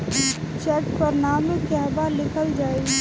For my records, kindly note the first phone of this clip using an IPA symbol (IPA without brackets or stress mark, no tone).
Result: t͡ʃ